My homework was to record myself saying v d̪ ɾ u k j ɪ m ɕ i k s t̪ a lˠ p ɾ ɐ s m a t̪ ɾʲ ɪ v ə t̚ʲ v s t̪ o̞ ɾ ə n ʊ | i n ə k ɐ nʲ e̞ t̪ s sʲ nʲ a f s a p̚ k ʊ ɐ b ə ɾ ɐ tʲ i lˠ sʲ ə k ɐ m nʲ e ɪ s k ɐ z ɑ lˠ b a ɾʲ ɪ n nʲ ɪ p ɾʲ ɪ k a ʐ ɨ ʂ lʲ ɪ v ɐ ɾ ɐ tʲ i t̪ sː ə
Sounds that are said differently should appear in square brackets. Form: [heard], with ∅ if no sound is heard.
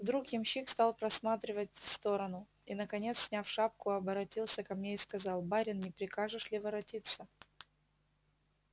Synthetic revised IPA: v d̪ ɾ u k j ɪ m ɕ i k s t̪ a lˠ p ɾ ɐ s m a t̪ ɾʲ ɪ v ə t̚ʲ [f] s t̪ o̞ ɾ ə n ʊ | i n ə k ɐ nʲ e̞ t̪ s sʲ nʲ a f [ʂ] a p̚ k ʊ ɐ b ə ɾ ɐ tʲ i lˠ sʲ ə k ɐ m nʲ e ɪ s k ɐ z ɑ lˠ b a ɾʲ ɪ n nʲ ɪ p ɾʲ ɪ k a ʐ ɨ ʂ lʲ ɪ v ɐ ɾ ɐ tʲ i t̪ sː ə

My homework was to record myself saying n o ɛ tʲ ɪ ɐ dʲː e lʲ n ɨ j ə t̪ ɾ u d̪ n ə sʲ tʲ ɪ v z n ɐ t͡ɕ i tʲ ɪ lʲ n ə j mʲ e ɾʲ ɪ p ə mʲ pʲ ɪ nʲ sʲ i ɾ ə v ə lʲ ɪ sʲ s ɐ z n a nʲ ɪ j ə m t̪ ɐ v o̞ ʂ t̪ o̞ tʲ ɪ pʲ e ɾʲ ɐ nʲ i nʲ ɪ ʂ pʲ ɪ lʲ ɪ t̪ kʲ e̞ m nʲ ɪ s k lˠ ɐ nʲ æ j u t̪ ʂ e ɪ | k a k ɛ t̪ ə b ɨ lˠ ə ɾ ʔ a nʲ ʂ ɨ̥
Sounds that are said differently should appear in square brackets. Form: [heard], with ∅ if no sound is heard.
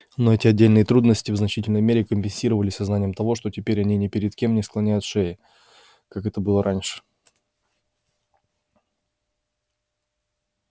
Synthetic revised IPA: n o ɛ tʲ ɪ ɐ dʲː e lʲ n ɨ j ə t̪ ɾ u d̪ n ə sʲ tʲ ɪ v z n ɐ t͡ɕ i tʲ ɪ lʲ n ə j mʲ e ɾʲ ɪ [k] ə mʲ pʲ ɪ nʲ sʲ i ɾ ə v ə lʲ ɪ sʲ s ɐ z n a nʲ ɪ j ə m t̪ ɐ v o̞ ʂ t̪ o̞ tʲ ɪ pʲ e ɾʲ ɐ nʲ i nʲ ɪ [∅] pʲ ɪ [ɾʲ] ɪ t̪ kʲ e̞ m nʲ ɪ s k lˠ ɐ nʲ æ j [ʊ] t̪ ʂ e ɪ | k a k ɛ t̪ ə b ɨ lˠ ə ɾ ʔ a nʲ ʂ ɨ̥

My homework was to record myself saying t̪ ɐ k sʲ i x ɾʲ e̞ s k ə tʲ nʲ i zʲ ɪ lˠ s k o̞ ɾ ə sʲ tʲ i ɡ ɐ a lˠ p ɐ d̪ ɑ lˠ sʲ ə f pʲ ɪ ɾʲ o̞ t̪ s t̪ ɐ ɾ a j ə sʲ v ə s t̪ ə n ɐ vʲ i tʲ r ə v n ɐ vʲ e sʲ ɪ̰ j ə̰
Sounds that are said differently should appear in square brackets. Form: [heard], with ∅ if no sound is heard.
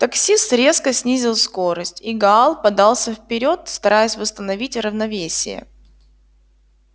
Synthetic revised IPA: t̪ ɐ k sʲ i [s] ɾʲ e̞ s k ə [sʲ] nʲ i zʲ ɪ lˠ s k o̞ ɾ ə sʲ tʲ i ɡ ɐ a lˠ p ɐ d̪ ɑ lˠ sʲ ə f pʲ ɪ ɾʲ o̞ t̪ s t̪ ɐ ɾ a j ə sʲ v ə s t̪ ə n ɐ vʲ i tʲ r ə v n ɐ vʲ e sʲ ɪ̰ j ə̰

